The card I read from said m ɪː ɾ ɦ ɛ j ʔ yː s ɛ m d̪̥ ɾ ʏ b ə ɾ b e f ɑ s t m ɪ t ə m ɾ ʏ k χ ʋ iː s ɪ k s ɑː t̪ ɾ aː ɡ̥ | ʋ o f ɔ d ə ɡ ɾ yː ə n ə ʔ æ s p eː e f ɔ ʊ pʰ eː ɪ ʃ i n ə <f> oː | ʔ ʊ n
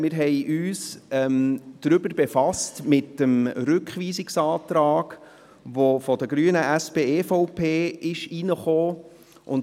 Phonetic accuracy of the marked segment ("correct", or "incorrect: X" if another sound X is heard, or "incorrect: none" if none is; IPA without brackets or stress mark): incorrect: χ